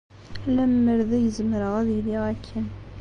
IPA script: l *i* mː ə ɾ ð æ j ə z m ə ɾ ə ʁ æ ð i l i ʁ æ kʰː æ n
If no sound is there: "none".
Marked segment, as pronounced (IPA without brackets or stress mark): æ